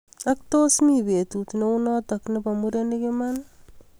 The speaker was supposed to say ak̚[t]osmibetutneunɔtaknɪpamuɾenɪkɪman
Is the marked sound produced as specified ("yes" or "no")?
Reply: yes